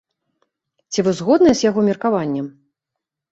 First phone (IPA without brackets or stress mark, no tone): t͡sʲ